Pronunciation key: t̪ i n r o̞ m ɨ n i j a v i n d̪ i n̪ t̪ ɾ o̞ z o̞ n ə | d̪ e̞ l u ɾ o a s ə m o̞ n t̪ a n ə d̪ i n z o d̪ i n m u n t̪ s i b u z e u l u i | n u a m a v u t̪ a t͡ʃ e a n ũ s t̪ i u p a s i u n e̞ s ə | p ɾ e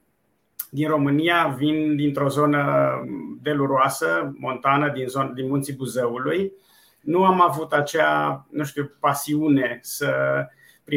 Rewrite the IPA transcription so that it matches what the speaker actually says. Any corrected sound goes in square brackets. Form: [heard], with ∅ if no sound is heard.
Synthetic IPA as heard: [d̪] i n r o̞ m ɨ n i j a v i n d̪ i n̪ t̪ ɾ o̞ z o̞ n ə | d̪ e̞ l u ɾ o a s ə m o̞ n t̪ a n ə d̪ i n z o d̪ i n m u n t̪ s i b u z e u l u [j] | n u a m a v u t̪ a t͡ʃ e a n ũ [ʃ] t̪ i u p a s i u n e̞ s ə | p ɾ [i]